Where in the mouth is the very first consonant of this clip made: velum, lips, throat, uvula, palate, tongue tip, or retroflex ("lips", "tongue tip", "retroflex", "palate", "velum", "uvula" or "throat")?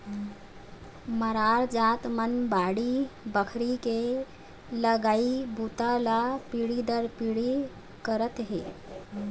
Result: lips